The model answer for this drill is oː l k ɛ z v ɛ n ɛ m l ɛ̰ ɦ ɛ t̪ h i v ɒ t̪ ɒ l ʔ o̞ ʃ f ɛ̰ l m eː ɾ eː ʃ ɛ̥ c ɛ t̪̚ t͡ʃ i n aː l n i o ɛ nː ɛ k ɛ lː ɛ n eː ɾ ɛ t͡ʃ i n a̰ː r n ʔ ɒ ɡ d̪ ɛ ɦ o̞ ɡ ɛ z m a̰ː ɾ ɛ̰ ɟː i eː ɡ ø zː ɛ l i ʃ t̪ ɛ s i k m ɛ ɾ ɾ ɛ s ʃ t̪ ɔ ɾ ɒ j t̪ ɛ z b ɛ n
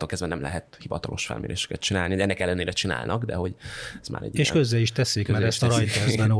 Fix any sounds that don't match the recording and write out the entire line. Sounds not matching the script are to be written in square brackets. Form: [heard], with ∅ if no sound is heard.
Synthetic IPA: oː l k ɛ z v ɛ n ɛ m l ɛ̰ ɦ ɛ t̪ h i v ɒ t̪ ɒ l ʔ o̞ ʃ f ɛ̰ l m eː ɾ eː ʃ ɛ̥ [k] ɛ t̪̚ t͡ʃ i n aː l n i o ɛ nː ɛ k ɛ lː ɛ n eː ɾ ɛ t͡ʃ i n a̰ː [l] n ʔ ɒ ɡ d̪ ɛ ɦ o̞ [ɟ] ɛ z m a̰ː ɾ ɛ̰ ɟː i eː [k] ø zː ɛ l i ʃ t̪ ɛ s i k m ɛ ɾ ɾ ɛ s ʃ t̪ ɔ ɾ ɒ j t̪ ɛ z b ɛ n